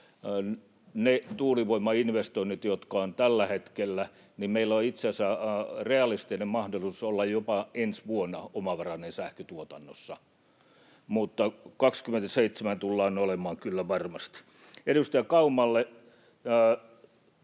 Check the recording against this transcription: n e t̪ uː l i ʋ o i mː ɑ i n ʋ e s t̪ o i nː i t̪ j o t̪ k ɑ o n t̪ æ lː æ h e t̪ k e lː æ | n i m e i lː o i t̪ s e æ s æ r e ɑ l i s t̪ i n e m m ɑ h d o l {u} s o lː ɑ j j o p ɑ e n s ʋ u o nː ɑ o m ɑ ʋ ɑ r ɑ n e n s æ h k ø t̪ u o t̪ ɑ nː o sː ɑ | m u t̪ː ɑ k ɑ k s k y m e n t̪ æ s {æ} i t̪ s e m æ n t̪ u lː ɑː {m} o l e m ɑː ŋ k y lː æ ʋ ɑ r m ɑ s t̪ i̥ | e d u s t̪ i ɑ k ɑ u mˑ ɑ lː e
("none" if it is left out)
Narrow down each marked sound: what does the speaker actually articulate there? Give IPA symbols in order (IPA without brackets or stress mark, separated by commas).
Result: u, e, n